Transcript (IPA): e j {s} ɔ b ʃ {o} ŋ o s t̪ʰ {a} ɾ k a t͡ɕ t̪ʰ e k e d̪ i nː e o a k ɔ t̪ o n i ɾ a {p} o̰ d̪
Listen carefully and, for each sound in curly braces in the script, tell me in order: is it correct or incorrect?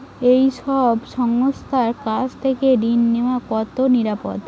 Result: incorrect, incorrect, correct, correct

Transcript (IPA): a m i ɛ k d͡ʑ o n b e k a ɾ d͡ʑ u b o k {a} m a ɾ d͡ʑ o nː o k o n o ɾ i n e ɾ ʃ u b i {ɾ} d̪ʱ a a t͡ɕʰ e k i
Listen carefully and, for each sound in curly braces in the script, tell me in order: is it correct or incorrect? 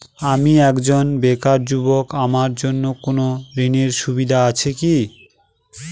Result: correct, incorrect

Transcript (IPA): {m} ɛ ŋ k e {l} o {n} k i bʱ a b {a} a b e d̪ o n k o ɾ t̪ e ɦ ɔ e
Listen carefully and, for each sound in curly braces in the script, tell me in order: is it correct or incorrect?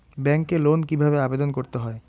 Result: incorrect, correct, correct, incorrect

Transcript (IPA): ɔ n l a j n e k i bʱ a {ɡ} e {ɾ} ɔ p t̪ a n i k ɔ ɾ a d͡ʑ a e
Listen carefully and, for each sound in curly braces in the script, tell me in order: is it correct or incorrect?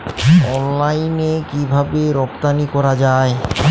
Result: incorrect, correct

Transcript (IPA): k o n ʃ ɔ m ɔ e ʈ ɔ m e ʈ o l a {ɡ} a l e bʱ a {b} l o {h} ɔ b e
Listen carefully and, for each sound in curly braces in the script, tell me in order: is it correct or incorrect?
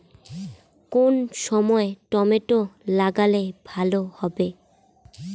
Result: correct, incorrect, correct

